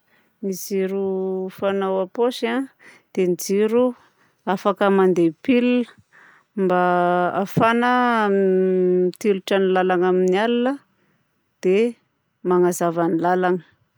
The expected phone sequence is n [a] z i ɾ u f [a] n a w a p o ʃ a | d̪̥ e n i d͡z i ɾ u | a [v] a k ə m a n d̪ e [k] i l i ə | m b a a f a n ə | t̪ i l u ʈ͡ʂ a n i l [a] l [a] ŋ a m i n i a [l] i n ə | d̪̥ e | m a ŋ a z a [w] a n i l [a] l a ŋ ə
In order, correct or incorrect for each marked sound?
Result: incorrect, correct, incorrect, incorrect, correct, correct, correct, incorrect, correct

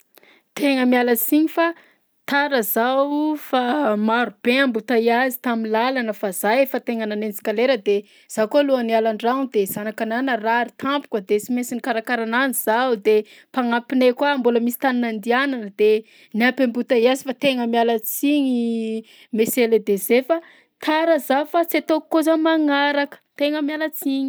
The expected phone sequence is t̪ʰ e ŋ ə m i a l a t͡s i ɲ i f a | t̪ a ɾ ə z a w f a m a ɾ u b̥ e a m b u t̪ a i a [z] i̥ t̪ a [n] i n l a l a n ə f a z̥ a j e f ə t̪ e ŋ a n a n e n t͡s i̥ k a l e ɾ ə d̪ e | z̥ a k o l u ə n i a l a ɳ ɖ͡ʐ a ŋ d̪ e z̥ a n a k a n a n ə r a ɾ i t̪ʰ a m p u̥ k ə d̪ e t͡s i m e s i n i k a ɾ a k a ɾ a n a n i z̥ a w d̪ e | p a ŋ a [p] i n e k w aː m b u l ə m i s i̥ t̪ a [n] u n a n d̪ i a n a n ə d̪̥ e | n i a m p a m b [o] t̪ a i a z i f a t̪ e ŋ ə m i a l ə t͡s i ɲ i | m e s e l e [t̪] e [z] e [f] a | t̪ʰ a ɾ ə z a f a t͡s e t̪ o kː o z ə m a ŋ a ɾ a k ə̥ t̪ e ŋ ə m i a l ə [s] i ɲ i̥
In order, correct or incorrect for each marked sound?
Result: correct, incorrect, correct, correct, incorrect, incorrect, correct, correct, incorrect

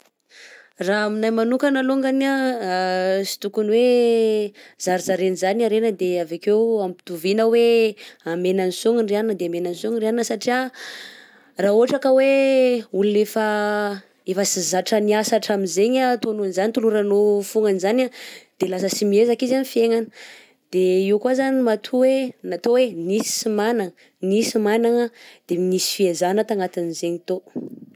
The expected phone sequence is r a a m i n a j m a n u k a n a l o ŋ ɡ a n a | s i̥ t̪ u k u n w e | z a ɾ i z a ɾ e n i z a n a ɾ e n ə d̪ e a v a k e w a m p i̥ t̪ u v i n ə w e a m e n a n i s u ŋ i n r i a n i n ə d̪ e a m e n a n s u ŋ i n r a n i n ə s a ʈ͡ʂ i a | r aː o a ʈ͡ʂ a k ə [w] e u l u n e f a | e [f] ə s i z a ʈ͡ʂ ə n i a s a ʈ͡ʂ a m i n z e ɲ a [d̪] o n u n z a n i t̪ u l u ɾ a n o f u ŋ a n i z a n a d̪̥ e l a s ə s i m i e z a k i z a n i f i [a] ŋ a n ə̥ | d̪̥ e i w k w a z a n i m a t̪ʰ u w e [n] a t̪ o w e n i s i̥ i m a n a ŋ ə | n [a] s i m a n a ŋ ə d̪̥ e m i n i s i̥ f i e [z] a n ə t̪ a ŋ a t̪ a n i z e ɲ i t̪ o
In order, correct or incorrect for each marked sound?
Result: correct, correct, incorrect, incorrect, correct, incorrect, correct

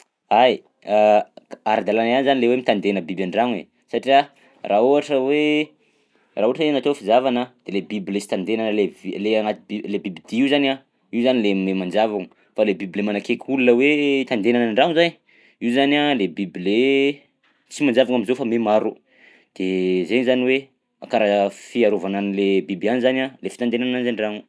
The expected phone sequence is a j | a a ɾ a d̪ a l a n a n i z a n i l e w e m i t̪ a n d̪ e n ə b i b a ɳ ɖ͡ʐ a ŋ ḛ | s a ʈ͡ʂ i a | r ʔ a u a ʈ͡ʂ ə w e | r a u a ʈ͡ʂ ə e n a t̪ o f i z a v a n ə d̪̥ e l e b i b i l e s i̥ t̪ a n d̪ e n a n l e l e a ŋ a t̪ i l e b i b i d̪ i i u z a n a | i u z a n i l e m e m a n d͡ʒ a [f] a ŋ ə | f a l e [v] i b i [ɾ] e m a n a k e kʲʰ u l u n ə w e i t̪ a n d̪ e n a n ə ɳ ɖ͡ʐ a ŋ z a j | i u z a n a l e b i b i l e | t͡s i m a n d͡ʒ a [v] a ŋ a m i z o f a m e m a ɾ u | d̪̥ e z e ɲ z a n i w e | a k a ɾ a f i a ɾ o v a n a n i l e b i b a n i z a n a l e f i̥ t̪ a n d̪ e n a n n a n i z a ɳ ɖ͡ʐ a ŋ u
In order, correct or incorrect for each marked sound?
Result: incorrect, incorrect, incorrect, correct

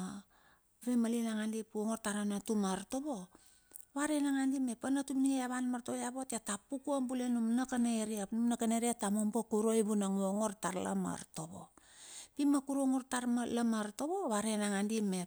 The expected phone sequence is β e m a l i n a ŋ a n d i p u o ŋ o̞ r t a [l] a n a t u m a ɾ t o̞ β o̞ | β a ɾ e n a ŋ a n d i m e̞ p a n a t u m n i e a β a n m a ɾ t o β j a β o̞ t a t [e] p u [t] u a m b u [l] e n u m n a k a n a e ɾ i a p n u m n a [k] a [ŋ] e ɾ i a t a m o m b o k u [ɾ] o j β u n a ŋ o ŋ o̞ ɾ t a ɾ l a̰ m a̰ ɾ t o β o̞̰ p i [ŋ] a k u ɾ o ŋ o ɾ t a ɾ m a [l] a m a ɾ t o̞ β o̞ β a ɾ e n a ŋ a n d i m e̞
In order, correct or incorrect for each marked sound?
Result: incorrect, incorrect, incorrect, correct, correct, incorrect, correct, incorrect, correct

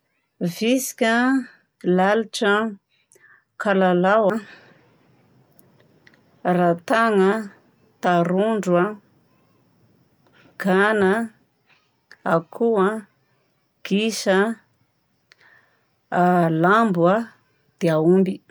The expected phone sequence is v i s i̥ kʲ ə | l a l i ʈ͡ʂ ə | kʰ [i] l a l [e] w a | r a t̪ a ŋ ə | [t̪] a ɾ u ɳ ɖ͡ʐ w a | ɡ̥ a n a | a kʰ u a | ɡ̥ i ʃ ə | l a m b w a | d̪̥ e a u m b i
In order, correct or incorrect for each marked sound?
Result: incorrect, incorrect, correct

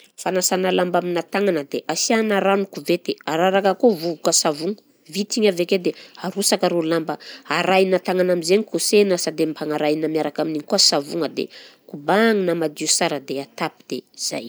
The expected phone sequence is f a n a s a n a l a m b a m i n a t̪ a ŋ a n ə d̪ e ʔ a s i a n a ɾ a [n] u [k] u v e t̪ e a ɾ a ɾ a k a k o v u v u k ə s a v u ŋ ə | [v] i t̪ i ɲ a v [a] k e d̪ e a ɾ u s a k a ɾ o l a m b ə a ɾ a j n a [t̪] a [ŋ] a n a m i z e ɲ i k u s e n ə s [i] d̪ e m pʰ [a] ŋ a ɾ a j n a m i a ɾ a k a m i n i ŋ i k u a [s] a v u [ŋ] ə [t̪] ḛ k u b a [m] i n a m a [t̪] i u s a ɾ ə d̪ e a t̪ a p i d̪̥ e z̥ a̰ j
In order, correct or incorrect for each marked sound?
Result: correct, correct, correct, incorrect, correct, correct, incorrect, correct, correct, correct, incorrect, incorrect, incorrect

